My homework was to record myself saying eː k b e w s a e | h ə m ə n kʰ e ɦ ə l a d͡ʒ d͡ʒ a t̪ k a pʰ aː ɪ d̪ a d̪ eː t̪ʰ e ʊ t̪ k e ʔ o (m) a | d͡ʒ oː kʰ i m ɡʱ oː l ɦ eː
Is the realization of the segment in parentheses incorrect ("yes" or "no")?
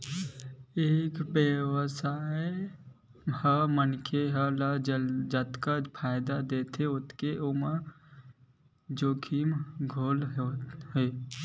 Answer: no